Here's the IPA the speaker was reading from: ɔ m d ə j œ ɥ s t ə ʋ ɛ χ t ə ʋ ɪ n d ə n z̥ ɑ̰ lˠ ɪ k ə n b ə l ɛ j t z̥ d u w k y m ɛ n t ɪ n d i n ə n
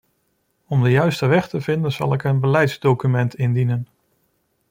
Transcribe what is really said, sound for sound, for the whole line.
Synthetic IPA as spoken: ɔ m d ə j œ ɥ s t ə ʋ ɛ χ t ə v ɪ n d ə n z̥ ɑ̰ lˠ ɪ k ə n b ə l ɛ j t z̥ d o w k y m ɛ n t ɪ n d i n ə n